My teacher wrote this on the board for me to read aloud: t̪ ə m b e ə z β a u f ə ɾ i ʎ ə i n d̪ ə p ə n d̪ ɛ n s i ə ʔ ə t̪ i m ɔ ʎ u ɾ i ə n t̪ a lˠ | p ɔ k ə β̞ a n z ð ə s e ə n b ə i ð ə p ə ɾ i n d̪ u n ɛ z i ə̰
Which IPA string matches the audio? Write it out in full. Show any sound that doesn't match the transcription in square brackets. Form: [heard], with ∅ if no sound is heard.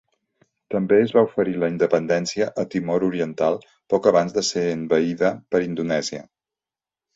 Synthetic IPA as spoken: t̪ ə m b e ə z β a u f ə ɾ i [l] ə i n d̪ ə p ə n d̪ ɛ n s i ə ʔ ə t̪ i m ɔ [ɾ] u ɾ i ə n t̪ a lˠ | p ɔ k ə β̞ a n z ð ə s e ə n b ə i ð ə p ə ɾ i n d̪ u n ɛ z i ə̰